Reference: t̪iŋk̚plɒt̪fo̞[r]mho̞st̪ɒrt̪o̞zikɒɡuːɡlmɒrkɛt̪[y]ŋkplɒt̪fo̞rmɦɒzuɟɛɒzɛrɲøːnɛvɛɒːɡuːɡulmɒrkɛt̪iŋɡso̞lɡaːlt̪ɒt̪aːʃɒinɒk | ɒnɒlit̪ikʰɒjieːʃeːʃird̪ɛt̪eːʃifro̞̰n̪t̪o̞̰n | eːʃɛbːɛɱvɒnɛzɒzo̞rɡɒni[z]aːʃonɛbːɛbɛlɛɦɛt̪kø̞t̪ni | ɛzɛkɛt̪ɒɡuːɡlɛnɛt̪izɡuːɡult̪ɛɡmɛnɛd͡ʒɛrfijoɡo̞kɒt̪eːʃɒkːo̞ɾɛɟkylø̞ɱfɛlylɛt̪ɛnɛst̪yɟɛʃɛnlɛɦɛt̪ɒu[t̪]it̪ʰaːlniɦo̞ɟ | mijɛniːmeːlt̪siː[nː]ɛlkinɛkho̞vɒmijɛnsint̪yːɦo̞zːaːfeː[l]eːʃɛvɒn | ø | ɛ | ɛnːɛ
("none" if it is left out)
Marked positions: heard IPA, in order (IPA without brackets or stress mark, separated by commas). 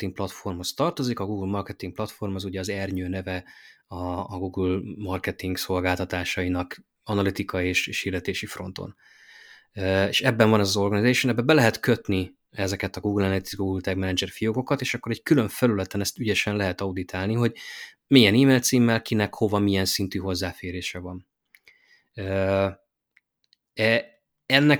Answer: r, i, z, d̪, mː, ɾ